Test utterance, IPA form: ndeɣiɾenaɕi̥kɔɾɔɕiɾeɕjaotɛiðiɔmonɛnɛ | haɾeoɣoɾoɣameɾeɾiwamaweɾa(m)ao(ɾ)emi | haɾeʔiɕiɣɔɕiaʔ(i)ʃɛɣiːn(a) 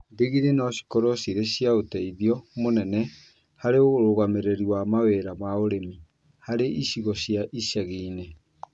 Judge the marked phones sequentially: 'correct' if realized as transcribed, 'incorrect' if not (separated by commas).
correct, correct, correct, incorrect